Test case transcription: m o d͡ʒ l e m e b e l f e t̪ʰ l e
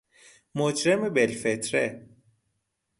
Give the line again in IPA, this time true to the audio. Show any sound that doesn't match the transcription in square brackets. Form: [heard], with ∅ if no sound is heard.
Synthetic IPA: m o d͡ʒ [ɾ] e m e b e l f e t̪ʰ [ɾ] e